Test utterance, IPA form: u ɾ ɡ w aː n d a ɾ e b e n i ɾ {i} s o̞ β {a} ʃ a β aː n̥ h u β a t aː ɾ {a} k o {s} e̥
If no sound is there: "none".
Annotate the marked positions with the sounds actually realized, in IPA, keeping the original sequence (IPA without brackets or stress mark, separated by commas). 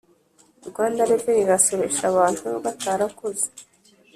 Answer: a, e, a, z